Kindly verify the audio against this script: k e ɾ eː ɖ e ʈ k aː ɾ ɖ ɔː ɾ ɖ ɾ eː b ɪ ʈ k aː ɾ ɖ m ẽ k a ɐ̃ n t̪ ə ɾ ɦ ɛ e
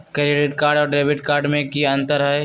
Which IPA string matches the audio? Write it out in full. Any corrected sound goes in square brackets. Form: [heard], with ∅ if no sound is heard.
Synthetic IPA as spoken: k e ɾ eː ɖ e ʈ k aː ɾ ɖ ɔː ɾ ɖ ɾ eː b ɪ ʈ k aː ɾ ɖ m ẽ k [i] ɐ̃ n t̪ ə ɾ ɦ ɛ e